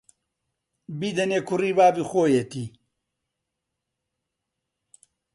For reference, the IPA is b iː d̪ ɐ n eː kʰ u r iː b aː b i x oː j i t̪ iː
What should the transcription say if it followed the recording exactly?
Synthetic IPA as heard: b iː d̪ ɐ n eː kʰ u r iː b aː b i x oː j e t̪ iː